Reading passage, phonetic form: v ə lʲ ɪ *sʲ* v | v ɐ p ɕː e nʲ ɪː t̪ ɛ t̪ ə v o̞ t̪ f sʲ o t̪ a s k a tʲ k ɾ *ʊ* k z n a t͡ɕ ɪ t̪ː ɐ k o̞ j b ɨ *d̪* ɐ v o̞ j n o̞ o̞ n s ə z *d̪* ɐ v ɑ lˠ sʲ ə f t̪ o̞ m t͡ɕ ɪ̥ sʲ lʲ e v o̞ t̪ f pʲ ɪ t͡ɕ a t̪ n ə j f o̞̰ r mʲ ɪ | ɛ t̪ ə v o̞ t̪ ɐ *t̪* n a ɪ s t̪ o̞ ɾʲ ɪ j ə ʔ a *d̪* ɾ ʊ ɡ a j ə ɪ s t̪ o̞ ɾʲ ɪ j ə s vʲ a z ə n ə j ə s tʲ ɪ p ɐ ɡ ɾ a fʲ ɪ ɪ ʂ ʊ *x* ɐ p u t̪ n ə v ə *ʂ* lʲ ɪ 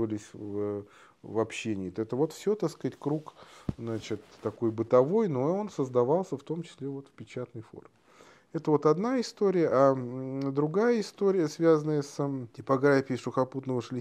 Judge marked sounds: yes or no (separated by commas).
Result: yes, no, no, yes, no, yes, yes, yes